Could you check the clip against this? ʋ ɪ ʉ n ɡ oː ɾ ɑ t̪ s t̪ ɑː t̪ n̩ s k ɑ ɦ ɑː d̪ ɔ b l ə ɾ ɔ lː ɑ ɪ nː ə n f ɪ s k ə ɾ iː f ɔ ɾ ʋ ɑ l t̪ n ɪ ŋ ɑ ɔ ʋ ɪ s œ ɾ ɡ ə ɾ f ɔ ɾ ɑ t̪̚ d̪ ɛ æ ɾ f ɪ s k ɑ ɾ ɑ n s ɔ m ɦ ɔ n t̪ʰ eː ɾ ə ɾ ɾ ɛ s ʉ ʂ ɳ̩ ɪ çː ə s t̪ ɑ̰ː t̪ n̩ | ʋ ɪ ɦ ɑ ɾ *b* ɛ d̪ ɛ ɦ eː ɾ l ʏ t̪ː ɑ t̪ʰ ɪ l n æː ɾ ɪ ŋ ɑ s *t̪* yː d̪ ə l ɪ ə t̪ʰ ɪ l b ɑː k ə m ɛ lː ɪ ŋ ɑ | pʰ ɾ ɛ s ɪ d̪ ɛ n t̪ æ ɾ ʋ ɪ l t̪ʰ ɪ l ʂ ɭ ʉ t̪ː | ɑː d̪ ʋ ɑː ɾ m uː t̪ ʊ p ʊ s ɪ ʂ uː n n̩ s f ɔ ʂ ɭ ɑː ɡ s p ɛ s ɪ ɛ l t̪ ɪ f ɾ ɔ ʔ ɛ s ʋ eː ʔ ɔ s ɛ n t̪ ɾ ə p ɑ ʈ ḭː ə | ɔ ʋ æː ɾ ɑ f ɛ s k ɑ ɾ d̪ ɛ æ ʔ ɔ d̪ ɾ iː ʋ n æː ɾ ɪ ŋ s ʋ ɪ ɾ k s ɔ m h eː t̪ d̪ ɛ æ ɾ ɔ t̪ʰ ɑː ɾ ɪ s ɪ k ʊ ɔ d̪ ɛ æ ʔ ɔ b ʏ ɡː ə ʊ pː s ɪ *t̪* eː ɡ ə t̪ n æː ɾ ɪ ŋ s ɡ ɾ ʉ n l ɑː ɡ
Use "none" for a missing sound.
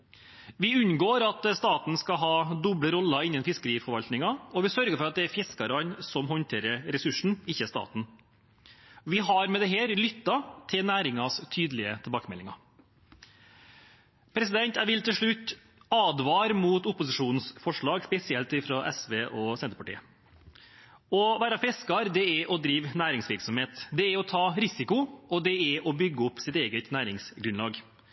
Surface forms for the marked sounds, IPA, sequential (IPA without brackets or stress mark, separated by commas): m, t̪ʰ, t̪